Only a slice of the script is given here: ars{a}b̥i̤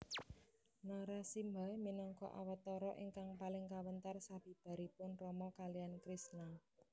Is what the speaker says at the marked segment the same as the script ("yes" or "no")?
yes